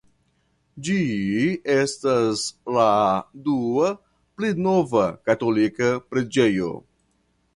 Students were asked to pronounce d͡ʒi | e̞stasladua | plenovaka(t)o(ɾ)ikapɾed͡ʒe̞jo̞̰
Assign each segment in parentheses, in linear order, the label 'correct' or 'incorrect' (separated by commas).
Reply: correct, incorrect